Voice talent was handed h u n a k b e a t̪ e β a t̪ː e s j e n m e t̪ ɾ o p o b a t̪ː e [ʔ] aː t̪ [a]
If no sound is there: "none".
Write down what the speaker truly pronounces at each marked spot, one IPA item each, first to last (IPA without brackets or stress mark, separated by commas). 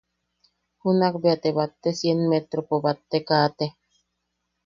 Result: k, e